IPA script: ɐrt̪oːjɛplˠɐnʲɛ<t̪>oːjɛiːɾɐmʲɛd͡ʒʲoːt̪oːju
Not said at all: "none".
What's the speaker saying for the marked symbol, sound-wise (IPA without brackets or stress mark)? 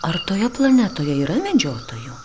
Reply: t̪